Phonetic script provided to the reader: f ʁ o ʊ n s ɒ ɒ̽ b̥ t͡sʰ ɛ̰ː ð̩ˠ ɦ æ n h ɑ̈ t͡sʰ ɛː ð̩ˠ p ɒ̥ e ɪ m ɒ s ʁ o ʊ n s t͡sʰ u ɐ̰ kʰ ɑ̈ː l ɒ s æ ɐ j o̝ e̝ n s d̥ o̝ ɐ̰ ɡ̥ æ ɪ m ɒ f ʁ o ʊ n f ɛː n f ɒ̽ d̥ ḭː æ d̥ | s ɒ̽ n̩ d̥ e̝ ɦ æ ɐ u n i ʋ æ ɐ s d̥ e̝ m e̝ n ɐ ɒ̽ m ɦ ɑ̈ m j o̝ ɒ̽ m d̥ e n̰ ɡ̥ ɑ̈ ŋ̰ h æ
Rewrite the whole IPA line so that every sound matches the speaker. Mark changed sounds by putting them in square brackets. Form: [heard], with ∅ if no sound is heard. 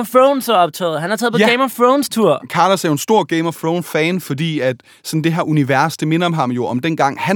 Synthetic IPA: f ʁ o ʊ n s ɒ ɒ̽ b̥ t͡sʰ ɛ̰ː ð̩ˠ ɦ æ n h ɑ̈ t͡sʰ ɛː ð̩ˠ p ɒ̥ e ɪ m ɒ [f] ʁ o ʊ n s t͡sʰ u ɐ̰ kʰ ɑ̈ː l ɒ s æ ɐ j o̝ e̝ n s d̥ o̝ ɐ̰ ɡ̥ [e] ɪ m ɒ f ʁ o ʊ n f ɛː n f ɒ̽ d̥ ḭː æ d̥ | s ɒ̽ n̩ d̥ e̝ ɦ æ ɐ u n i ʋ æ ɐ s d̥ e̝ m e̝ n ɐ ɒ̽ m ɦ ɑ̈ m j o̝ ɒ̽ m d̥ e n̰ ɡ̥ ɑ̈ ŋ̰ h æ